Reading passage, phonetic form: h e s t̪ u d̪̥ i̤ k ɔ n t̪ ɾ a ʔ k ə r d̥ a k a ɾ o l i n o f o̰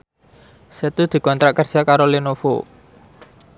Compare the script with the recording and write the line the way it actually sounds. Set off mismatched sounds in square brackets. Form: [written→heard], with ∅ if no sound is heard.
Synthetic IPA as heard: [h→s] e [s→∅] t̪ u d̪̥ i̤ k ɔ n t̪ ɾ a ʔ k ə r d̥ a k a ɾ o l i n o f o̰